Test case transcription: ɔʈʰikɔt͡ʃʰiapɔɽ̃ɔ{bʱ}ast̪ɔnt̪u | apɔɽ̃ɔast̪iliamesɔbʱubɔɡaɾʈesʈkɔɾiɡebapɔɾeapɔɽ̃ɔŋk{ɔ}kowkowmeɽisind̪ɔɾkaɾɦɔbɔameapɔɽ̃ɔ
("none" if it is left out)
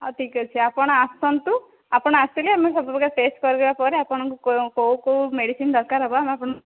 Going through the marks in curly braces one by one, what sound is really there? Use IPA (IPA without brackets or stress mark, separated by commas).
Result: none, u